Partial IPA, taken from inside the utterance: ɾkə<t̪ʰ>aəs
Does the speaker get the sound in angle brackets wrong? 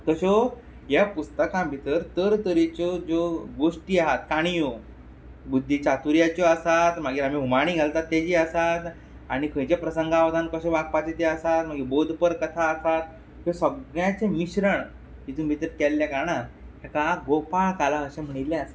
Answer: no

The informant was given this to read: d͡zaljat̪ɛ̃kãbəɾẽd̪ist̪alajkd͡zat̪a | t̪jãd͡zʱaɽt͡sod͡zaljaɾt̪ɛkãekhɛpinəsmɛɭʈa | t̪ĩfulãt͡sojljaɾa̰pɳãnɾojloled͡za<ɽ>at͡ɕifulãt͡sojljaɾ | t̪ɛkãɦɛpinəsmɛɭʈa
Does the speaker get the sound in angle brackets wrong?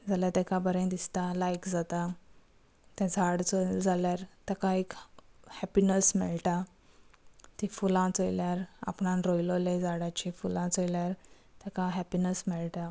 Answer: no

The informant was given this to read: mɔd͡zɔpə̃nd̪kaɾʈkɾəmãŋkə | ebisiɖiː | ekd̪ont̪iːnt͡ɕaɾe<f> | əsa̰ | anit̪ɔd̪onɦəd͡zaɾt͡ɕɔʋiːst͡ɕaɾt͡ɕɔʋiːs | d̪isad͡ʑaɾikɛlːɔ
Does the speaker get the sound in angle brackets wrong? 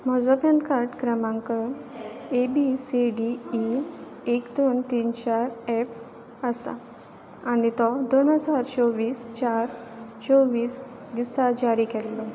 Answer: no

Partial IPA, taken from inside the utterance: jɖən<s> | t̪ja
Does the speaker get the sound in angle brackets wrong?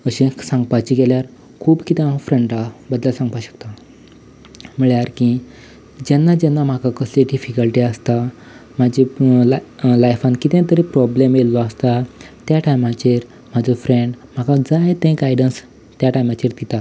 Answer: no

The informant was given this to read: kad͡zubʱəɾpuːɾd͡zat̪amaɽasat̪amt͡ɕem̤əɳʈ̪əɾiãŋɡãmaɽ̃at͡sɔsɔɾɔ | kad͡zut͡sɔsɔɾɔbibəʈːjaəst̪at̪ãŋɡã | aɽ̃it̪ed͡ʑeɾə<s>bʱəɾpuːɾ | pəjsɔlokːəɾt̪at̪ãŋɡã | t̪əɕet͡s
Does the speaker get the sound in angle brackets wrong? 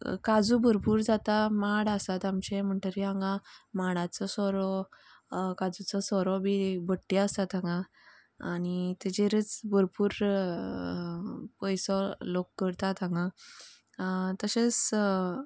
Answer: yes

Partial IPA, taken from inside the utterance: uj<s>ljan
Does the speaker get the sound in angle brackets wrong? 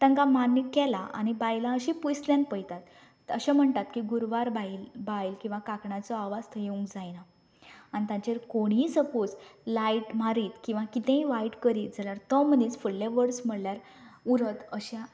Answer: no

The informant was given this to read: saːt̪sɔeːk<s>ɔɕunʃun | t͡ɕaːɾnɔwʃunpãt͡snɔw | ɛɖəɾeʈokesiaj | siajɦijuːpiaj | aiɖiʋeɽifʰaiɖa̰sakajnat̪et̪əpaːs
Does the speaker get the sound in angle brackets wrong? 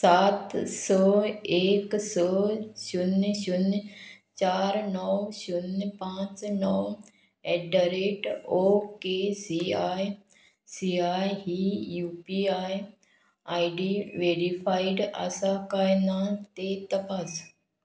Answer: no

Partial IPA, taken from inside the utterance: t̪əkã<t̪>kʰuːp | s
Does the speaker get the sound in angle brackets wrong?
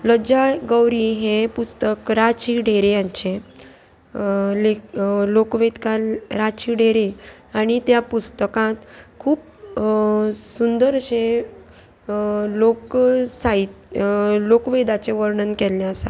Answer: no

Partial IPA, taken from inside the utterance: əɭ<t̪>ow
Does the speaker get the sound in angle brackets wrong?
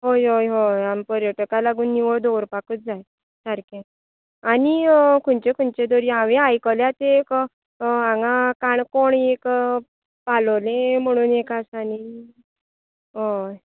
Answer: yes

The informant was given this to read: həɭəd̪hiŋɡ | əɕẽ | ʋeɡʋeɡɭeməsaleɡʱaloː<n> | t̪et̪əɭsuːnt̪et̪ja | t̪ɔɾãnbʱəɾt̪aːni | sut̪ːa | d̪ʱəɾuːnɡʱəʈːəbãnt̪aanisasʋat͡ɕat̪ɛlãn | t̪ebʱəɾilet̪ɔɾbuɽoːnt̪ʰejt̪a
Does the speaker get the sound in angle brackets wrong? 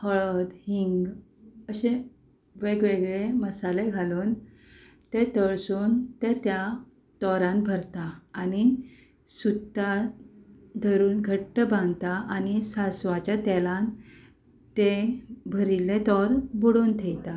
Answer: no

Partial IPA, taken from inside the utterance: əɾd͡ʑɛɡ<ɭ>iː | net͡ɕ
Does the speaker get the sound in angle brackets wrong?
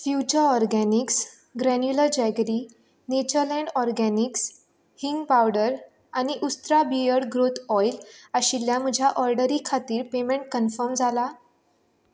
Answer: yes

